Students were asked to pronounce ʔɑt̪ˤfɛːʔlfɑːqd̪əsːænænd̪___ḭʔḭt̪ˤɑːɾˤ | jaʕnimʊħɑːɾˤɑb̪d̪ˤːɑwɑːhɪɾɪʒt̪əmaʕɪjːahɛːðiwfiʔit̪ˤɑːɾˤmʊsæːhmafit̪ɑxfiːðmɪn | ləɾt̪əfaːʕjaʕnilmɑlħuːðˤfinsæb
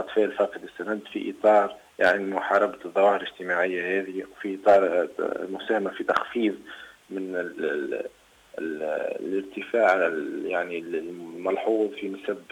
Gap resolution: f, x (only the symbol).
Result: f